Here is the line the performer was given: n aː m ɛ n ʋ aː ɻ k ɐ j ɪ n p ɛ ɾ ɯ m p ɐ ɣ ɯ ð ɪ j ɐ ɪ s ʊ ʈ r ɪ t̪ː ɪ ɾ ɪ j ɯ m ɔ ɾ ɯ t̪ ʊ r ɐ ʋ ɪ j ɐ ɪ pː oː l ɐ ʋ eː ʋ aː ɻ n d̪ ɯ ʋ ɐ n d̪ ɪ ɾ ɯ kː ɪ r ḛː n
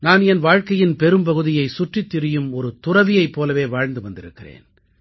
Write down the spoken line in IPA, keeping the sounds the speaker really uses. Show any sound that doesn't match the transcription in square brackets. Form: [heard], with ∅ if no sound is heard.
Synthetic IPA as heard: n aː [n] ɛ n ʋ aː ɻ k ɐ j ɪ n p ɛ ɾ ɯ m p ɐ ɣ ɯ ð ɪ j ɐ ɪ s ʊ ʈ r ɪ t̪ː ɪ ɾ ɪ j ɯ m ɔ ɾ ɯ t̪ ʊ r ɐ ʋ ɪ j ɐ ɪ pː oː l ɐ ʋ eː ʋ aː ɻ n d̪ ɯ ʋ ɐ n d̪ ɪ ɾ ɯ kː ɪ r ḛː n